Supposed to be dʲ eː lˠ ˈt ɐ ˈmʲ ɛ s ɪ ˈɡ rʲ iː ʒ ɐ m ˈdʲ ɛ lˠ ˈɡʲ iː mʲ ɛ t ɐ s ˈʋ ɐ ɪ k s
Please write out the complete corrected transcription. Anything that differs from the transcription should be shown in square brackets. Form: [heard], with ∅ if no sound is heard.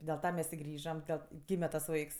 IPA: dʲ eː lˠ ˈt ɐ ˈmʲ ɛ s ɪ ˈɡ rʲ iː ʒ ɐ m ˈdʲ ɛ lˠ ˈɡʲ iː mʲ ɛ t ɐ s ˈʋ ɐ ɪ k s

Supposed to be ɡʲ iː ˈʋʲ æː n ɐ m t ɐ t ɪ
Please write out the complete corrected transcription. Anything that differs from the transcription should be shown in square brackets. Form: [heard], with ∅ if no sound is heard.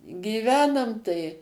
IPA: ɡʲ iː ˈʋʲ æː n ɐ m t ɐ [∅] ɪ

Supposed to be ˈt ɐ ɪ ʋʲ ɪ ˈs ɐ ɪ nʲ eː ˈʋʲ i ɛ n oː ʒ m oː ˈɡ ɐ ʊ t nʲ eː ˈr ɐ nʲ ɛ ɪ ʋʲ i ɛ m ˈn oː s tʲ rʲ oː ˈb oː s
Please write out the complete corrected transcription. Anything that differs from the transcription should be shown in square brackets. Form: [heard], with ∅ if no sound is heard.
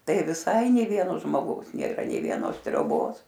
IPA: ˈt ɐ ɪ ʋʲ ɪ ˈs ɐ ɪ nʲ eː ˈʋʲ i ɛ n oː ʒ m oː ˈɡ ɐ ʊ [s] nʲ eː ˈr ɐ nʲ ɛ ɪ ʋʲ i ɛ [∅] ˈn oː s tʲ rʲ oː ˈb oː s

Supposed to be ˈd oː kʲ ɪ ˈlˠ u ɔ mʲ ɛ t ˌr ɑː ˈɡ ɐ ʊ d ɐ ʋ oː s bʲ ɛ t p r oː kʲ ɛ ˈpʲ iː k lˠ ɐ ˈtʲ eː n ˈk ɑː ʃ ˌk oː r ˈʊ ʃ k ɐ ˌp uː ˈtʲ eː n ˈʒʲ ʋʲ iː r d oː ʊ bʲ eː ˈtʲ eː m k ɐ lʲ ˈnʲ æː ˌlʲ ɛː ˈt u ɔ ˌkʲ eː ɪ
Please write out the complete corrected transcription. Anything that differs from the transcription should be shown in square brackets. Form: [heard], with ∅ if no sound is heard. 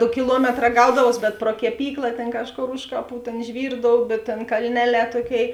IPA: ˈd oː kʲ ɪ ˈlˠ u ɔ mʲ ɛ t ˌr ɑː ˈɡ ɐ ʊ d ɐ ʋ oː s bʲ ɛ t p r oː kʲ ɛ ˈpʲ iː k lˠ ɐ ˈtʲ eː n ˈk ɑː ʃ ˌk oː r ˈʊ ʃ k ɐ ˌp uː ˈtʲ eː n ˈʒʲ ʋʲ iː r d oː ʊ bʲ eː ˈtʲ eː [n] k ɐ lʲ ˈnʲ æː ˌlʲ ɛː ˈt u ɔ ˌkʲ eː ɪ

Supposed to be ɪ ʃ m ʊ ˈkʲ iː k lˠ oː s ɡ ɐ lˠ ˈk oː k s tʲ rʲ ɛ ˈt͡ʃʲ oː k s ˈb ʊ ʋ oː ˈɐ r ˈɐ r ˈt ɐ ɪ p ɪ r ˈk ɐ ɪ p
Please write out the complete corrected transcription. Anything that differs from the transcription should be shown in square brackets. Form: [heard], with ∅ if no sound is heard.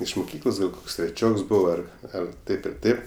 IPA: ɪ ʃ m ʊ ˈkʲ iː k lˠ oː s ɡ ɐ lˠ ˈk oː k s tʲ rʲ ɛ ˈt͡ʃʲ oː k s ˈb ʊ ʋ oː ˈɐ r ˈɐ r ˈt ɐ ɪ p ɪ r [ˈt] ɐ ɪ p

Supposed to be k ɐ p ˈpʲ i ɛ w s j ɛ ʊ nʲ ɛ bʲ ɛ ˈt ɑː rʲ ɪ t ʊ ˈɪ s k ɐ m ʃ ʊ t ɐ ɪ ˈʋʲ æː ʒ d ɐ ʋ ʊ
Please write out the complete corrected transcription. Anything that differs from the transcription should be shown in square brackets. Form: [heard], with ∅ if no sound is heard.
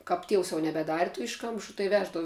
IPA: k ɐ p [ˈtʲ] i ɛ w s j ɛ ʊ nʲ ɛ bʲ ɛ [ˈd] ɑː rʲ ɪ t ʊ ˈɪ [ʃ] k ɐ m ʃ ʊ t ɐ ɪ ˈʋʲ æː ʒ d ɐ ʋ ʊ

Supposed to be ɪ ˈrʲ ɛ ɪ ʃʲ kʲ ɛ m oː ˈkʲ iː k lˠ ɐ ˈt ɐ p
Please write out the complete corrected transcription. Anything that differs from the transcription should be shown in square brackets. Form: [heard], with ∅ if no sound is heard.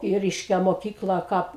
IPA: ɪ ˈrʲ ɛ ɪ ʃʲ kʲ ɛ m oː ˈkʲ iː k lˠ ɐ [ˈk] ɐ p

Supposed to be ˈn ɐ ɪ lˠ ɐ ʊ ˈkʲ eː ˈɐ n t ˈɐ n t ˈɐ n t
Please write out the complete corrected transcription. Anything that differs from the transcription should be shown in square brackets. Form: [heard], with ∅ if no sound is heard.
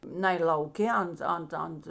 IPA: ˈn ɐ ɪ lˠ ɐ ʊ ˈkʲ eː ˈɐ n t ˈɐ n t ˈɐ n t

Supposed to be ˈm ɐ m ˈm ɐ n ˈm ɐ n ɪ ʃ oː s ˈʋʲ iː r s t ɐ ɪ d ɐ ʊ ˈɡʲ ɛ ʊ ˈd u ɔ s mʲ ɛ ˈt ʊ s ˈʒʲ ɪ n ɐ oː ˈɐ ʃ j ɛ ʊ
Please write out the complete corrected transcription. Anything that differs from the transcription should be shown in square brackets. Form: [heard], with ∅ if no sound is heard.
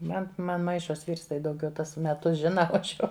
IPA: ˈm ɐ [n] ˈm ɐ n ˈm ɐ [∅] ɪ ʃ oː s ˈʋʲ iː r s t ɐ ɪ d ɐ ʊ ˈɡʲ ɛ ʊ [ˈt] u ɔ s mʲ ɛ ˈt ʊ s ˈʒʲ ɪ n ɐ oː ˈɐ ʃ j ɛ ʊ

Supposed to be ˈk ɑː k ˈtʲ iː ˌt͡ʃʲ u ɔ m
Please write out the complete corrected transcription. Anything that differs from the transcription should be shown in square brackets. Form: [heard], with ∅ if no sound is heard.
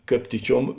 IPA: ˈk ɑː [p] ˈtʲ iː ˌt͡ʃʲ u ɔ m

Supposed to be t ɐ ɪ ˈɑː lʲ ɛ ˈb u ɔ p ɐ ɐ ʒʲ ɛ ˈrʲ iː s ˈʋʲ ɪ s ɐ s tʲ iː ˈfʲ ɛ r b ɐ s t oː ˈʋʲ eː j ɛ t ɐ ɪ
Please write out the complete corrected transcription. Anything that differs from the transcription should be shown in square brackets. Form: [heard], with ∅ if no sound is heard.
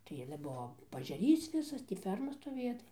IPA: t ɐ ɪ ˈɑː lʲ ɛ ˈb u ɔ p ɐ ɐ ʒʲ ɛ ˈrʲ iː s ˈʋʲ ɪ s ɐ s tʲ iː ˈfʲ ɛ r [m] ɐ s t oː ˈʋʲ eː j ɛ t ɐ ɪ

